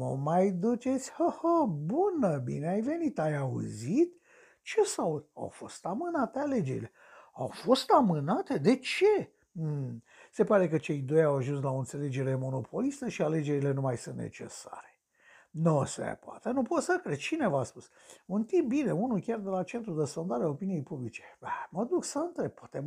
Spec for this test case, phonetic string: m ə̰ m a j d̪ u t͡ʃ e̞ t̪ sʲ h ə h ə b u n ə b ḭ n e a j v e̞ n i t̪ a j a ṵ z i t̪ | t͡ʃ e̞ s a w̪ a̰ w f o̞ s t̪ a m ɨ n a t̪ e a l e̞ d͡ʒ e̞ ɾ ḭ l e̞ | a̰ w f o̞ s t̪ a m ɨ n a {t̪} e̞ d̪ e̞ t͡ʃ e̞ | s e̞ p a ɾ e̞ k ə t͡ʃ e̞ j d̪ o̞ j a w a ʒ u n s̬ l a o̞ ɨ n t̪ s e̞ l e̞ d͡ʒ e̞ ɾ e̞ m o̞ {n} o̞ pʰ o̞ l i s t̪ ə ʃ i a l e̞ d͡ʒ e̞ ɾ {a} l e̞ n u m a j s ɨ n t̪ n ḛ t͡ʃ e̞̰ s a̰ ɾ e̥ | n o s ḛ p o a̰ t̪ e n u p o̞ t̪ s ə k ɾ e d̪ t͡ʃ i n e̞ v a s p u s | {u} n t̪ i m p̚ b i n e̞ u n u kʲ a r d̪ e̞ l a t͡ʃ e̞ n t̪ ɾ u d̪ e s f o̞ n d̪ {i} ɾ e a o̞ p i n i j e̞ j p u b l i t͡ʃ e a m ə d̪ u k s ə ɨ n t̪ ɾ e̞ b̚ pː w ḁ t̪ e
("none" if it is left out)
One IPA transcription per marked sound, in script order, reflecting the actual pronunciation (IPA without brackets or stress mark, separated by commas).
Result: t̪, n, i, u, a